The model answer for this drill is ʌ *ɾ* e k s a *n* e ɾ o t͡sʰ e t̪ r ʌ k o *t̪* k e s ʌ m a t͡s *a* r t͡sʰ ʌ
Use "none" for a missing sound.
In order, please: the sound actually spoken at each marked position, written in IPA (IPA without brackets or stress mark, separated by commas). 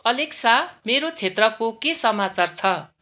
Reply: l, m, none, a